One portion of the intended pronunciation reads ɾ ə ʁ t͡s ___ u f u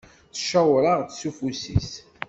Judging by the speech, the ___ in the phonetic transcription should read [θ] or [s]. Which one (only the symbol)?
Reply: s